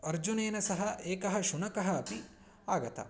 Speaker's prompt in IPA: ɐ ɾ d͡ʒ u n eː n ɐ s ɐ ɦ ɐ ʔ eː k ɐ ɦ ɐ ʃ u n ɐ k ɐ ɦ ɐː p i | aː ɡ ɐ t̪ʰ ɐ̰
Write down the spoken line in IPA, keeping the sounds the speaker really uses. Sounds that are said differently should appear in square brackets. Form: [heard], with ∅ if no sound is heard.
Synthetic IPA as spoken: ɐ ɾ d͡ʒ u n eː n ɐ s ɐ ɦ ɐ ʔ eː k ɐ ɦ ɐ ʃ u n ɐ k ɐ ɦ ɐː p i | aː ɡ ɐ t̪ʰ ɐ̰

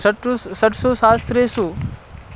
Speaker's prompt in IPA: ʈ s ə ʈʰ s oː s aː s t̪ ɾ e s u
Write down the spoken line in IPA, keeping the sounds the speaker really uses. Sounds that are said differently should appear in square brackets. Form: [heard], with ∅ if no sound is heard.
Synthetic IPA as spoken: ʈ s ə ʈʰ s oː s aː s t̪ ɾ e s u

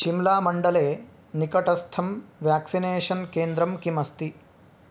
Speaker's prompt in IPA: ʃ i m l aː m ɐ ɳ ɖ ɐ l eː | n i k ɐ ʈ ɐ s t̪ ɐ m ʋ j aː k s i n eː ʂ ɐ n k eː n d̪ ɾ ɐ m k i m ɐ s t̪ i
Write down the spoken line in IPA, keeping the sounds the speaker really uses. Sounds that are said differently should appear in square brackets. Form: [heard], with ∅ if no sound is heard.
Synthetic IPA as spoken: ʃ i m l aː m ɐ ɳ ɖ ɐ l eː | n i k ɐ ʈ ɐ s [t̪ʰ] ɐ m ʋ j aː k s i n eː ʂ ɐ n k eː n d̪ ɾ ɐ m k i m ɐ s t̪ i

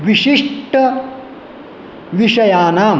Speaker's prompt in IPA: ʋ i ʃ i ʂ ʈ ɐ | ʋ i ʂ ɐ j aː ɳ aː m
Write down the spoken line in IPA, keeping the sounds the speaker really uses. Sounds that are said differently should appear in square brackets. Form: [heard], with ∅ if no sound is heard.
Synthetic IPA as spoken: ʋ i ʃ i ʂ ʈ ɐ | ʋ i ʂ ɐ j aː [n] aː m

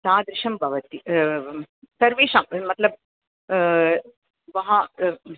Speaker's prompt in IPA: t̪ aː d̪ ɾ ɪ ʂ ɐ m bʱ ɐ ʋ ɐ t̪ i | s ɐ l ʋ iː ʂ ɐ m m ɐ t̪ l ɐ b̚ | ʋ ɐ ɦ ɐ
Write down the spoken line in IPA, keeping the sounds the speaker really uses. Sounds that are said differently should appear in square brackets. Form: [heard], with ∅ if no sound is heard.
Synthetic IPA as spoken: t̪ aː d̪ ɾ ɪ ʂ ɐ m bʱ ɐ ʋ ɐ t̪ i | s ɐ [ɾ] ʋ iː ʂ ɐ m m ɐ t̪ l ɐ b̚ | ʋ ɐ ɦ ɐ

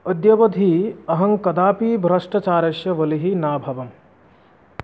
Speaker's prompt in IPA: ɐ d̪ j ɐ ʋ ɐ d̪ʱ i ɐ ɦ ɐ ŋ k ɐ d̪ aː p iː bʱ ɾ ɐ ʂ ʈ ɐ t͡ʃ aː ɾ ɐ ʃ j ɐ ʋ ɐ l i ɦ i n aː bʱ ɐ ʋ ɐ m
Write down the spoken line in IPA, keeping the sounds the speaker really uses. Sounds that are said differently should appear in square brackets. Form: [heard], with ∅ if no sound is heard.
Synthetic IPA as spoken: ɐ d̪ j ɐ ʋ ɐ d̪ʱ i ɐ ɦ ɐ ŋ k ɐ d̪ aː p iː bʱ ɾ ɐ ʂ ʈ ɐ t͡ʃ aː ɾ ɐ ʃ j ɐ ʋ ɐ l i ɦ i n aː bʱ ɐ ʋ ɐ m

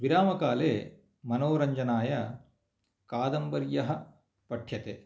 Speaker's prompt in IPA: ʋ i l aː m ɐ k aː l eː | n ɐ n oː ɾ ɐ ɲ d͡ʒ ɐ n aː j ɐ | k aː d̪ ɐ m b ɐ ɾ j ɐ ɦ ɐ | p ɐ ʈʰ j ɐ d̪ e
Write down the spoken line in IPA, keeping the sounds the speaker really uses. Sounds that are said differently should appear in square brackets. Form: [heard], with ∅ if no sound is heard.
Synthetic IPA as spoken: ʋ i [ɾ] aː m ɐ k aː l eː | [m] ɐ n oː ɾ ɐ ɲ d͡ʒ ɐ n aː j ɐ | k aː d̪ ɐ m b ɐ ɾ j ɐ ɦ ɐ | p ɐ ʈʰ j ɐ [t̪] e

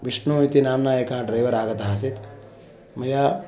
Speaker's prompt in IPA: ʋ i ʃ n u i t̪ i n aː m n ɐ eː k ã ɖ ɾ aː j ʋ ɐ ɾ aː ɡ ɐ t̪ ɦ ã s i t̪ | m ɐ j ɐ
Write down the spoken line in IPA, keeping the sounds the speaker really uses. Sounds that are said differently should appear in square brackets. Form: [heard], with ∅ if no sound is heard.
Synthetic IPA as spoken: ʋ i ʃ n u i t̪ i n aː m n [a] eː k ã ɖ ɾ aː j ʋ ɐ ɾ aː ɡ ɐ t̪ ɦ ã s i t̪ | m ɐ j [a]

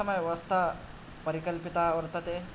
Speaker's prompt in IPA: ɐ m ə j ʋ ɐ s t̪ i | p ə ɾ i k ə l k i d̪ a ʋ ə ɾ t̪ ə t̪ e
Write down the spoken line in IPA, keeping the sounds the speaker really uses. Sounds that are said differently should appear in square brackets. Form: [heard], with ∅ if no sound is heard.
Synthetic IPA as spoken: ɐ m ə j ʋ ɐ s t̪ [a] | p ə ɾ i k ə l [p] i [t̪] a ʋ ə ɾ t̪ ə t̪ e

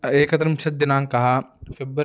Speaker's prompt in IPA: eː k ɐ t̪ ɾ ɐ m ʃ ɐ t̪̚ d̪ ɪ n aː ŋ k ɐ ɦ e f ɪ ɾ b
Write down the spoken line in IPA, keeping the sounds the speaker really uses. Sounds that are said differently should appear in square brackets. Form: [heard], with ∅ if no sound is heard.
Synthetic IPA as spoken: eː k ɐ t̪ ɾ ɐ m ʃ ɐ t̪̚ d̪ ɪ n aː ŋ k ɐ ɦ [a] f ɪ [∅] b

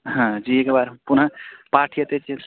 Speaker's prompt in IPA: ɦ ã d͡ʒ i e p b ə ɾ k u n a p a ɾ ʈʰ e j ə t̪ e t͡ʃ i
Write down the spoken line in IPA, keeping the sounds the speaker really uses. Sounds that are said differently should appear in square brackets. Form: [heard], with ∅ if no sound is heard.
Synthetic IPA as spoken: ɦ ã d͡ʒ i e [k] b [a] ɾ [p] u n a p a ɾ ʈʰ [i] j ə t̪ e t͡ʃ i

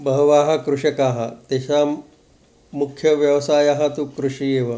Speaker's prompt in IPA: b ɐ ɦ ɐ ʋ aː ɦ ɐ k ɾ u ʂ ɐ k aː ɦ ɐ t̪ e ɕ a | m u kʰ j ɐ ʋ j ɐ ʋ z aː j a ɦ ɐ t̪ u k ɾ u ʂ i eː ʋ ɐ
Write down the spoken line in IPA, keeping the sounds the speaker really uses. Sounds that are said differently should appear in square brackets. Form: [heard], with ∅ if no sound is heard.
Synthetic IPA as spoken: b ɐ ɦ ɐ ʋ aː ɦ ɐ k ɾ u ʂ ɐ k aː ɦ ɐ t̪ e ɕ a | m u kʰ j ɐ ʋ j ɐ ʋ [s] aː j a ɦ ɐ t̪ u k ɾ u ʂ i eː ʋ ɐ

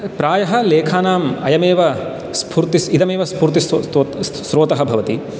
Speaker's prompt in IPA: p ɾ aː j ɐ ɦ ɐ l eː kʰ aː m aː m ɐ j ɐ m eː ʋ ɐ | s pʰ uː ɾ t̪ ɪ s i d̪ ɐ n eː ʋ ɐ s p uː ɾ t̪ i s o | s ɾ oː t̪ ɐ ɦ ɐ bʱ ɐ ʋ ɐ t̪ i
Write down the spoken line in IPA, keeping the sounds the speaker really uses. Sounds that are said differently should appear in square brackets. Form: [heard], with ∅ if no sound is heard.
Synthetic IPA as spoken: p ɾ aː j ɐ ɦ ɐ l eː kʰ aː [n] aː m ɐ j ɐ m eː ʋ ɐ | s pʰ uː ɾ t̪ [i] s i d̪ ɐ [m] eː ʋ ɐ s p uː ɾ t̪ i s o | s ɾ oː t̪ ɐ ɦ ɐ bʱ ɐ ʋ ɐ t̪ i

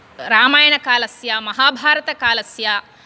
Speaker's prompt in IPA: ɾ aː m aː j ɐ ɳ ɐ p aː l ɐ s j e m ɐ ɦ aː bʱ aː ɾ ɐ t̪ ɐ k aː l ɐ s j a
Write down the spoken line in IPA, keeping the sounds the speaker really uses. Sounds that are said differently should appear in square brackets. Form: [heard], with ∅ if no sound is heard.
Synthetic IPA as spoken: ɾ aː m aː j ɐ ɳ ɐ [k] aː l ɐ s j [a] m ɐ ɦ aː bʱ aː ɾ ɐ t̪ ɐ k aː l ɐ s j a

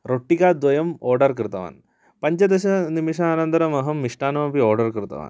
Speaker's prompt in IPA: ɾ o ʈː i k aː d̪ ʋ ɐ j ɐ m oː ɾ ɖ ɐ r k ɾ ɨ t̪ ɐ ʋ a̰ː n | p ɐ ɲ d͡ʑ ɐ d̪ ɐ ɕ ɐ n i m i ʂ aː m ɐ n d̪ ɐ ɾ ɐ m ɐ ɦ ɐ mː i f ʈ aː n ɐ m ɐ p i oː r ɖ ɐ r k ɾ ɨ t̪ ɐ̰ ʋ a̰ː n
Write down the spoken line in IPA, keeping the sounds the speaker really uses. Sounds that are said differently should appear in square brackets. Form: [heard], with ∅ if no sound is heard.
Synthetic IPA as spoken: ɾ o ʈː i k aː d̪ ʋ ɐ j ɐ m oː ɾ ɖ ɐ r k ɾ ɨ t̪ ɐ ʋ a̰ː n | p ɐ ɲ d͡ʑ ɐ d̪ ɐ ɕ ɐ n i m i ʂ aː [n] ɐ n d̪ ɐ ɾ ɐ m ɐ ɦ ɐ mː i [ʂ] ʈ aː n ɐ m ɐ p i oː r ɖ ɐ r k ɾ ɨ t̪ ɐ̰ ʋ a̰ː n

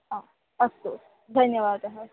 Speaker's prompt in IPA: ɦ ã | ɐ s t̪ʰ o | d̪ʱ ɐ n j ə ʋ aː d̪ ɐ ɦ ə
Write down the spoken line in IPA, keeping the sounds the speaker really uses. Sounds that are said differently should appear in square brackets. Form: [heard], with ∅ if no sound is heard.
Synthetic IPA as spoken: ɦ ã | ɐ s [t̪] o | d̪ʱ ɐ n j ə ʋ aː d̪ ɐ ɦ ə

